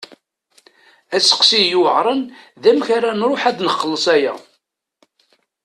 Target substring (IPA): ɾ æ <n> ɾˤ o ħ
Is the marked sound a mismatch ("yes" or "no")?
no